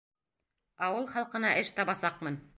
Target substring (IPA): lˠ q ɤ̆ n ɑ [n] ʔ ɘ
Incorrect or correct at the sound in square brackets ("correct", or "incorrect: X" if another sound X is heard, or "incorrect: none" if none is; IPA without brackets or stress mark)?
incorrect: none